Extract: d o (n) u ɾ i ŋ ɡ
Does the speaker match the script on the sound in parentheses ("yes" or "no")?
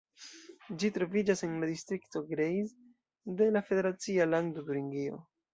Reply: no